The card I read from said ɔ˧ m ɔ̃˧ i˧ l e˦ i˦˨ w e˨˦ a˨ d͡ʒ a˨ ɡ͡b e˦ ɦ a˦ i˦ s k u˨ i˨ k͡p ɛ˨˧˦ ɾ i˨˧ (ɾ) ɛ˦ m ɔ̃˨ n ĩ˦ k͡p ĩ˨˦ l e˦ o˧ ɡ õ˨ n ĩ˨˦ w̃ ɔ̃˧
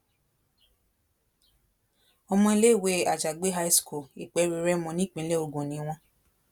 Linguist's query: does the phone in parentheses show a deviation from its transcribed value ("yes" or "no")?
no